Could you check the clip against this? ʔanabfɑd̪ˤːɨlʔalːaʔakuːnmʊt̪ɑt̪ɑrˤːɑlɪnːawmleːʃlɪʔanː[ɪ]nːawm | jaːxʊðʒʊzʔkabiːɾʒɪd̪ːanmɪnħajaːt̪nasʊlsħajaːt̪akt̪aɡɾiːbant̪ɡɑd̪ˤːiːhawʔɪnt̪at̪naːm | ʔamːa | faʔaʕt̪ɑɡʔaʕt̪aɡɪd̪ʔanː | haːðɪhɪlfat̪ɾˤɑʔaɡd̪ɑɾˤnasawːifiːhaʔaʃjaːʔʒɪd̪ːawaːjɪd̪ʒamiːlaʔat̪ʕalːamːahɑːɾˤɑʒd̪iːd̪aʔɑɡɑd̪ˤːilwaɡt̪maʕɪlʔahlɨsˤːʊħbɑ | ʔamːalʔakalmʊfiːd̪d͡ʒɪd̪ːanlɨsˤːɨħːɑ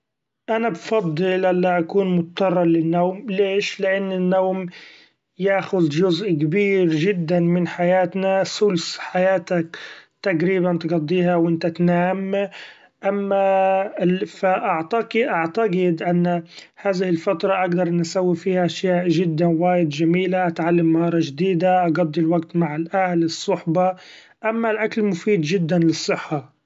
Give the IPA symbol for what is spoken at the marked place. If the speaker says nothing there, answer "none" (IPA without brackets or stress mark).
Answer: ɪ